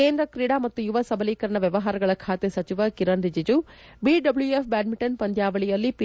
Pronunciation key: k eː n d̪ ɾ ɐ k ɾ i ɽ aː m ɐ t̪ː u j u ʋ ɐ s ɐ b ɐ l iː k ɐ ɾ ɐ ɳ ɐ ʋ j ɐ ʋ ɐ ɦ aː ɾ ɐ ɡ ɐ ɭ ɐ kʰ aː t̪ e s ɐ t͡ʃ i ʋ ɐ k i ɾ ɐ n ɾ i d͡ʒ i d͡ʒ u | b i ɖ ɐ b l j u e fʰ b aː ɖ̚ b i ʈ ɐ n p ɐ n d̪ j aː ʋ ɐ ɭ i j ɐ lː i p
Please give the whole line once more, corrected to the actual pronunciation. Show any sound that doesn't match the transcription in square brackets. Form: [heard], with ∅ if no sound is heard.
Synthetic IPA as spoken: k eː n d̪ ɾ ɐ k ɾ i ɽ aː m ɐ t̪ː u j u ʋ ɐ s ɐ b ɐ l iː k ɐ ɾ ɐ ɳ ɐ ʋ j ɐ ʋ ɐ ɦ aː ɾ ɐ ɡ ɐ ɭ ɐ kʰ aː t̪ e s ɐ t͡ʃ i ʋ ɐ k i ɾ ɐ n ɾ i d͡ʒ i d͡ʒ u | b i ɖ ɐ b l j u e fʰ b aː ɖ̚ [m] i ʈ ɐ n p ɐ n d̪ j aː ʋ ɐ ɭ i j ɐ lː i p